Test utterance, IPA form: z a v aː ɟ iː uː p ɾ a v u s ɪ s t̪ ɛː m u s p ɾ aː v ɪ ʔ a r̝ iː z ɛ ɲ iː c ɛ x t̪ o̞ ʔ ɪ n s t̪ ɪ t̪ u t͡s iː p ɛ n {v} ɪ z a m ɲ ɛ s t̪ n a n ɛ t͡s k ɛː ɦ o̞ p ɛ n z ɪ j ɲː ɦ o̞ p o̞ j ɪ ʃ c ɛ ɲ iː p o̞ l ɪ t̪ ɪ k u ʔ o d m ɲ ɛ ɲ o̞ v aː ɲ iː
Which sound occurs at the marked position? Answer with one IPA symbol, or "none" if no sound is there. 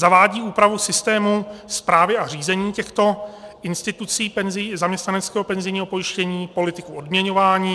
z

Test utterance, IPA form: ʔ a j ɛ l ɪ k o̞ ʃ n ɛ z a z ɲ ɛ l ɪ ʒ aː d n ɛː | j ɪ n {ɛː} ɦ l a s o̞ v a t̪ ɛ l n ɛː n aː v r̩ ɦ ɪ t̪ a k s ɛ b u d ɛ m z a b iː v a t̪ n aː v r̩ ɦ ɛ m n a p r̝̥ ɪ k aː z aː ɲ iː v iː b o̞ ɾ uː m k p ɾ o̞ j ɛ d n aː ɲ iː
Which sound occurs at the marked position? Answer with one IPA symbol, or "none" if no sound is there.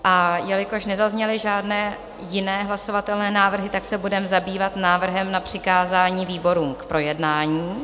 ɛː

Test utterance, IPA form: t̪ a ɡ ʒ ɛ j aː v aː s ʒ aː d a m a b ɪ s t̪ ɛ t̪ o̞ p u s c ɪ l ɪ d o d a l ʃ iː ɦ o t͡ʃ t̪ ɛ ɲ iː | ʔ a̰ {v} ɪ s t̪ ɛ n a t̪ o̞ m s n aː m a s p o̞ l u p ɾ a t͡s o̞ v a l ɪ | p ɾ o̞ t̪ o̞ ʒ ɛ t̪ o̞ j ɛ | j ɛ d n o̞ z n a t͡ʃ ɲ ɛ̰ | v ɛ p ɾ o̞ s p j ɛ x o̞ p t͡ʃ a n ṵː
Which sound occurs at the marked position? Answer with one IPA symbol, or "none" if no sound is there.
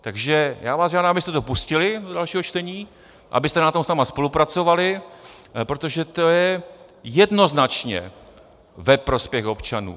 b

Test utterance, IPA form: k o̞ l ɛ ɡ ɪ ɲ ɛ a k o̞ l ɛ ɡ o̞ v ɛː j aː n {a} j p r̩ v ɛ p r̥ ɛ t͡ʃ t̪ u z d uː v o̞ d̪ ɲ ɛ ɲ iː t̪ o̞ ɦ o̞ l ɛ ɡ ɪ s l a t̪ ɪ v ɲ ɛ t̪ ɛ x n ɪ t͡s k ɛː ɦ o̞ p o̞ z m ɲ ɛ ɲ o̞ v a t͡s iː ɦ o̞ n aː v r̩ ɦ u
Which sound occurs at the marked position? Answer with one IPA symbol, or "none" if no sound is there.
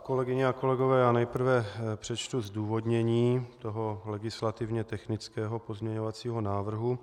ɛ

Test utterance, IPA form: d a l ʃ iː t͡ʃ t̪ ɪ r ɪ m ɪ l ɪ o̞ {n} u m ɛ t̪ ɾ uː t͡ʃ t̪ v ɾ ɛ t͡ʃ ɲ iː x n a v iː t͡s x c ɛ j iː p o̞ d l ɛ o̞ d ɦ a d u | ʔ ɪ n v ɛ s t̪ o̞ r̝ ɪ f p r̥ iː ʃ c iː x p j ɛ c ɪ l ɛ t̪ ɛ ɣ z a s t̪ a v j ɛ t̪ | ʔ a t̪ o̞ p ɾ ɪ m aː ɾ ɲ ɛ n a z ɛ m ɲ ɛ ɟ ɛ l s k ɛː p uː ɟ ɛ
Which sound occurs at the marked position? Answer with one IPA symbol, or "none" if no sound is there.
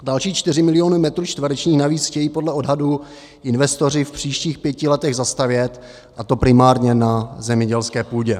n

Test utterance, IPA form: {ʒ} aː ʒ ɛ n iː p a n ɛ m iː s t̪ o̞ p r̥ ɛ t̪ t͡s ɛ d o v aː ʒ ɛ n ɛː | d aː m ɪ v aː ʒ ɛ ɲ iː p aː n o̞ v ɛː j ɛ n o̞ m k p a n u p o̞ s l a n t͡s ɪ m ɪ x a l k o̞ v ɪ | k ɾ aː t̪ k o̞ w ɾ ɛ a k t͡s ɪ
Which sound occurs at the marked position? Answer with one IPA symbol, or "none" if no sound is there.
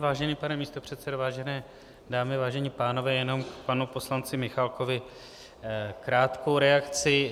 v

